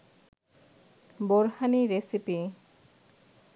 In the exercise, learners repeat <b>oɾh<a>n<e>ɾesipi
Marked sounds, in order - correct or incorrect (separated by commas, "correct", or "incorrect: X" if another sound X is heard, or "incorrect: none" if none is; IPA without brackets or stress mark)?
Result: correct, correct, incorrect: i